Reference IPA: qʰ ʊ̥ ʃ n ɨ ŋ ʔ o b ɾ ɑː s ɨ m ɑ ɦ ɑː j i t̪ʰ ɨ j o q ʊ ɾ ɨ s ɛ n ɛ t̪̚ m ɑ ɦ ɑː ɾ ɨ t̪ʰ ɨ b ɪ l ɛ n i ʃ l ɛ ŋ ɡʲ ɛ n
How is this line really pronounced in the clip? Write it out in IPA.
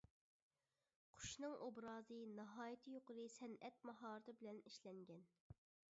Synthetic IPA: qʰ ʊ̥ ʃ n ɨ ŋ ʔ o b ɾ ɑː z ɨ n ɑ ɦ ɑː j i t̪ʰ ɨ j o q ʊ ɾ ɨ s ɛ n ɛ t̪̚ m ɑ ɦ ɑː ɾ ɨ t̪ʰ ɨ b ɪ l ɛ n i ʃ l ɛ ŋ ɡʲ ɛ n